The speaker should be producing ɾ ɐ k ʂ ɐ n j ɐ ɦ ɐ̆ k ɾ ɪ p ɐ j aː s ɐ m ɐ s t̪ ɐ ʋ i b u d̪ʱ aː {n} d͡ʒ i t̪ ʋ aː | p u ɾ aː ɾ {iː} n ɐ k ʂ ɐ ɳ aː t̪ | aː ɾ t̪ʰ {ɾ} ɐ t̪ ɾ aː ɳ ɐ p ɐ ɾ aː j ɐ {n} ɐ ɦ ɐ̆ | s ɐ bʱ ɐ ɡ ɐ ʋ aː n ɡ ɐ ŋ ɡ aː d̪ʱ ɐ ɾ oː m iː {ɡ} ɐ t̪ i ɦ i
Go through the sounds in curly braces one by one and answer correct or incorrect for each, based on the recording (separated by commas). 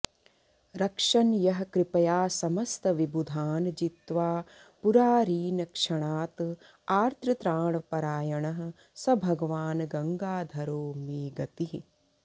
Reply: correct, correct, correct, incorrect, correct